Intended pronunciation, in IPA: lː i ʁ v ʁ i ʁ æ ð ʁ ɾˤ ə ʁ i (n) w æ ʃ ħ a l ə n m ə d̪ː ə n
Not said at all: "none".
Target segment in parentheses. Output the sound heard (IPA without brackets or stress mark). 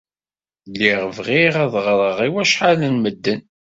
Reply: none